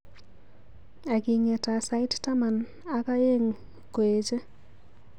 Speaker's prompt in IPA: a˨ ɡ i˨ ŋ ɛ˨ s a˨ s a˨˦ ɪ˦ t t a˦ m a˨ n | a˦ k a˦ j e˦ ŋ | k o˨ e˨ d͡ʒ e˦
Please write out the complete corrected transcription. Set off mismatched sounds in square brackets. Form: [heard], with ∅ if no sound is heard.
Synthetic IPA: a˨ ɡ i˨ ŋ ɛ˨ [t] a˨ s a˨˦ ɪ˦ t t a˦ m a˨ n | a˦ k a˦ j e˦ ŋ | k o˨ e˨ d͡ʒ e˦